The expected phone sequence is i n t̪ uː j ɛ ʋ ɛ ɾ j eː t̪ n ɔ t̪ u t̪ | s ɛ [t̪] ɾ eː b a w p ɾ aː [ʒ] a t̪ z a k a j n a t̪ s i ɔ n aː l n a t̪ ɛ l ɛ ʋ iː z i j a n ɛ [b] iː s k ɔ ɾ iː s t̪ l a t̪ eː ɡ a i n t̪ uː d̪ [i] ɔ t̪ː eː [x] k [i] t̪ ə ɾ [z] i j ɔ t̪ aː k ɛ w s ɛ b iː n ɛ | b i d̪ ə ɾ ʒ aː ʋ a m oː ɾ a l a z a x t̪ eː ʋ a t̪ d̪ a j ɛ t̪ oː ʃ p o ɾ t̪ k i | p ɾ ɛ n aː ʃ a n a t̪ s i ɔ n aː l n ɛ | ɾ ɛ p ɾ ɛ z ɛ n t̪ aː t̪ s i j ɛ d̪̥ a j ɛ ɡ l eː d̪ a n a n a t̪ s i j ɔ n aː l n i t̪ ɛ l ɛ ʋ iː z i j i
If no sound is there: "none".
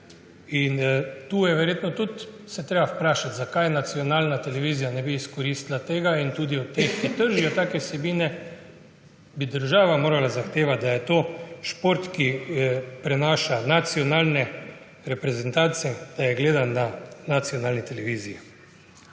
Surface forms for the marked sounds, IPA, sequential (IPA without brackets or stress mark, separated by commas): t̪, ʃ, b, i, x, i, ʒ